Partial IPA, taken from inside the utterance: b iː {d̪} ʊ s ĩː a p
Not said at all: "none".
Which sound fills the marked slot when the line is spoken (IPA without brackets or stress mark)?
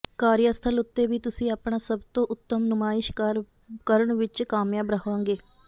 t̪